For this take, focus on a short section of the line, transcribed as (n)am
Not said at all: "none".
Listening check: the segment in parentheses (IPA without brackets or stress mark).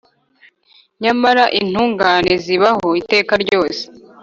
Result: ɲ